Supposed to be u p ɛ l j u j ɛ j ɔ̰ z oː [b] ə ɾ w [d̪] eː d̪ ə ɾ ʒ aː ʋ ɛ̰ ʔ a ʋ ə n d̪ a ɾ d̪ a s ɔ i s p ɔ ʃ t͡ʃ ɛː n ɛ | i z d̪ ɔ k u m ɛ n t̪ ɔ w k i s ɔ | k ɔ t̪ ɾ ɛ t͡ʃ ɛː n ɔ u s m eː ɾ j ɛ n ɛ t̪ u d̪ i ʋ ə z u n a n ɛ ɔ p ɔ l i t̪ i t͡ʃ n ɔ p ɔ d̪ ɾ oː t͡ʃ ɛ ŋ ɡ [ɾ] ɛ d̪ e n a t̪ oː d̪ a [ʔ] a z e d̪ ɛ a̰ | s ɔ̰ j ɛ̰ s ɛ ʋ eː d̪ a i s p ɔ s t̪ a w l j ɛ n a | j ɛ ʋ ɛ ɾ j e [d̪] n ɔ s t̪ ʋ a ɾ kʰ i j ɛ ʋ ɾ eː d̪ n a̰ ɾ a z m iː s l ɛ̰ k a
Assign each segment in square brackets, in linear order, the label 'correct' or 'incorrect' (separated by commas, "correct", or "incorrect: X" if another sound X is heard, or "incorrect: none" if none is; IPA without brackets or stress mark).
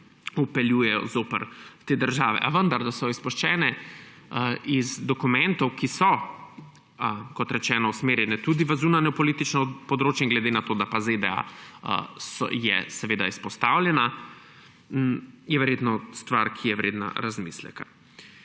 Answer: incorrect: p, incorrect: t̪, incorrect: l, incorrect: p, incorrect: t̪